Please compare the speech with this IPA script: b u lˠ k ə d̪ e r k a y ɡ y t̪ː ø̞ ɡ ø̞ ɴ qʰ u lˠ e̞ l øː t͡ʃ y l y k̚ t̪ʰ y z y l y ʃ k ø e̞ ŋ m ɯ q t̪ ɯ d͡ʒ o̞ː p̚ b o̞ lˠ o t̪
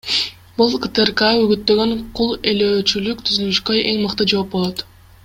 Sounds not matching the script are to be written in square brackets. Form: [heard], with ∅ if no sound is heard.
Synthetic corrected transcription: b u lˠ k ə [t̪] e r k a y ɡ y t̪ː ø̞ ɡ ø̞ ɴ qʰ u lˠ e̞ l øː t͡ʃ y l y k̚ t̪ʰ y z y l y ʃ k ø e̞ ŋ m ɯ q t̪ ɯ d͡ʒ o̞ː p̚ b o̞ lˠ o t̪